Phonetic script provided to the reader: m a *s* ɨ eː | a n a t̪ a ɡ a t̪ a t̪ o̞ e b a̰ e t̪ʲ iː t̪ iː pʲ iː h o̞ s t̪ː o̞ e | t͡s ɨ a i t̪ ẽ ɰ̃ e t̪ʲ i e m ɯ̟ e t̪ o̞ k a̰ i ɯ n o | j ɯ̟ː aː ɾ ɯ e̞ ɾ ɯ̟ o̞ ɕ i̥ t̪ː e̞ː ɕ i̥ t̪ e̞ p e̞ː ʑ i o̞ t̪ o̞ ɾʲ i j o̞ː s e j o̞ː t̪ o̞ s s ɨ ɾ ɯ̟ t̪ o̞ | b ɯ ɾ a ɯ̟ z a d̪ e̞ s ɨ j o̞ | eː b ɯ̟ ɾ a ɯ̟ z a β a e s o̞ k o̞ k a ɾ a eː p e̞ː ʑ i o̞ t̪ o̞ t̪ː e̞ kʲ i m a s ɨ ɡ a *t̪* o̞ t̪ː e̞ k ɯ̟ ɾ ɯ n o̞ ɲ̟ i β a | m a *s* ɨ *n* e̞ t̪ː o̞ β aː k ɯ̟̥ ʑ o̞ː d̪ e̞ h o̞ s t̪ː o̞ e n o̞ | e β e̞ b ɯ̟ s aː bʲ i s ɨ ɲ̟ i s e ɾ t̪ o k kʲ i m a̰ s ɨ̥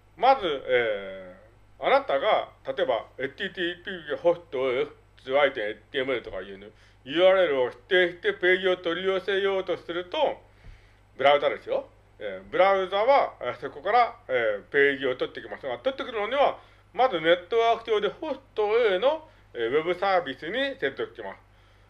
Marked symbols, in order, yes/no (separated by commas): no, yes, no, yes